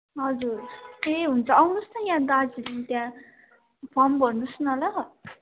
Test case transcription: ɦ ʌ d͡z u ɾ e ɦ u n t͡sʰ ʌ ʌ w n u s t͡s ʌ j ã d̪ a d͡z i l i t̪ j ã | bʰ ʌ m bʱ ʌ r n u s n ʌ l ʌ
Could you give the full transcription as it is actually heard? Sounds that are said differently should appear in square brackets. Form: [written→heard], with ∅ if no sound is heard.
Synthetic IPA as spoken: ɦ ʌ d͡z u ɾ e ɦ u n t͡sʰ ʌ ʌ w n u s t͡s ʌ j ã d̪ a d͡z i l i t̪ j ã | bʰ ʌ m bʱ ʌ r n u s n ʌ l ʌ